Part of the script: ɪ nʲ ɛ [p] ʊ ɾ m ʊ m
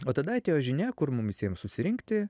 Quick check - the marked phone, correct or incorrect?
incorrect